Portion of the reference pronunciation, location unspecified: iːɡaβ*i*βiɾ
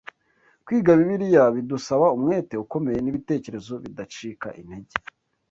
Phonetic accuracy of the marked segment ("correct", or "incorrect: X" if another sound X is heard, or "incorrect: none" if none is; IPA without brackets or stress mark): correct